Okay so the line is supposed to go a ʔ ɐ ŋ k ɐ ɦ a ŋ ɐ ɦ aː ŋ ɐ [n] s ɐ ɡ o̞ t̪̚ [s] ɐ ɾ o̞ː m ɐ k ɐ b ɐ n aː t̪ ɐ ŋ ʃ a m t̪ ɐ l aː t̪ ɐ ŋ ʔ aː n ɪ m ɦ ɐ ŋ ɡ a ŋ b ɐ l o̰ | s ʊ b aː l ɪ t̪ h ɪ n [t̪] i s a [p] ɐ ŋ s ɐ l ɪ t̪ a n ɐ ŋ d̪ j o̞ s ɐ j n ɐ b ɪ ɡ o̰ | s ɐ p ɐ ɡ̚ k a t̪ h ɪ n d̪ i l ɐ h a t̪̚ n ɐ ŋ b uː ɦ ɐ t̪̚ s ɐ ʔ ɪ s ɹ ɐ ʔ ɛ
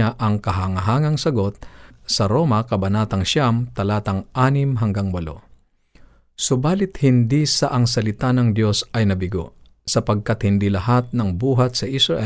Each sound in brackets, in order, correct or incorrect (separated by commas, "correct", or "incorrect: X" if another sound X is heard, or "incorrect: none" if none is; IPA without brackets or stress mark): incorrect: ŋ, correct, incorrect: d̪, incorrect: ʔ